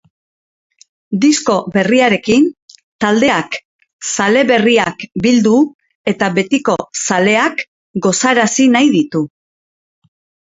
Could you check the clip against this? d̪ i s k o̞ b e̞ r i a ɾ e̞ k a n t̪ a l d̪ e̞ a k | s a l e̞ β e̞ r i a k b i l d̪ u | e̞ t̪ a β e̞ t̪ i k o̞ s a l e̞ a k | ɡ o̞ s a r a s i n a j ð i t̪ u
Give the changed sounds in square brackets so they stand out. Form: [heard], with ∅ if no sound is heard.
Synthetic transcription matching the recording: d̪ i s k o̞ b e̞ r i a ɾ e̞ k [i] n t̪ a l d̪ e̞ a k | s a l e̞ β e̞ r i a k b i l d̪ u | e̞ t̪ a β e̞ t̪ i k o̞ s a l e̞ a k | ɡ o̞ s a [ɾ] a s i n a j ð i t̪ u